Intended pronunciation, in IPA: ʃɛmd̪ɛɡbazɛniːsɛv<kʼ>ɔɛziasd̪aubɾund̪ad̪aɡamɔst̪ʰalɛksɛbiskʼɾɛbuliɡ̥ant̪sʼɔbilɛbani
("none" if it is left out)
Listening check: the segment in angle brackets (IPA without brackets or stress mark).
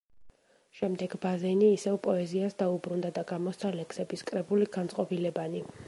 pʼ